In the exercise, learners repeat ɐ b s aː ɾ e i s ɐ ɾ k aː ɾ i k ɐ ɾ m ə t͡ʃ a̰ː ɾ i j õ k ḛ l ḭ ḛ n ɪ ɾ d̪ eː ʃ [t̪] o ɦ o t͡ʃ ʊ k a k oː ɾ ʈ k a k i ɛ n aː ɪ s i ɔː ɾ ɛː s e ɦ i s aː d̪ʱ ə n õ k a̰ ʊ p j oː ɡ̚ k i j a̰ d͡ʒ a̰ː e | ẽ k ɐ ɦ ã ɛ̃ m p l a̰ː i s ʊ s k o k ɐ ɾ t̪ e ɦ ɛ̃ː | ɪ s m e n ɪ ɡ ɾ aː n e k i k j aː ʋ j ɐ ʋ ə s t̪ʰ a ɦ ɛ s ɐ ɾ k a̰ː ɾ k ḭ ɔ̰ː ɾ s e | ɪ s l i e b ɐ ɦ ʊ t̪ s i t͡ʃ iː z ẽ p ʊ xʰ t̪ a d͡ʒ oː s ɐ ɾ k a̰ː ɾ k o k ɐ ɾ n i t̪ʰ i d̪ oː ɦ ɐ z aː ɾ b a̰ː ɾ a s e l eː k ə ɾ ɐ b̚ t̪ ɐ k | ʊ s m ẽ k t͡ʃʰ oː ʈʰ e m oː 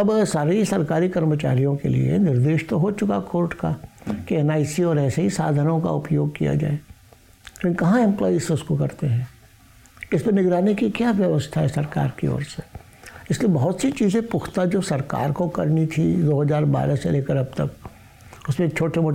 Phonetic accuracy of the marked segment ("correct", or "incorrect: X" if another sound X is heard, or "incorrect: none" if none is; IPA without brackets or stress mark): correct